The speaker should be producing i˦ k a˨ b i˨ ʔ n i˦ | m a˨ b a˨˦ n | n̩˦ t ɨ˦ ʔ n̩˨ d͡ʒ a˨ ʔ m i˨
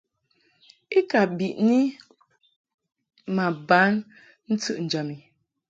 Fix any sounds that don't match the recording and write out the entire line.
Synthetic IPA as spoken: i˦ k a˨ b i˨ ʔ n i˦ | m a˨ b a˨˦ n | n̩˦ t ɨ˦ ʔ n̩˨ d͡ʒ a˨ m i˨